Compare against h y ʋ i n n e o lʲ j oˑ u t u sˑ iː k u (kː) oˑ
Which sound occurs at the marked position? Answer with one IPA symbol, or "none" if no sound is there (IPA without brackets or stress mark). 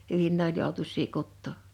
tː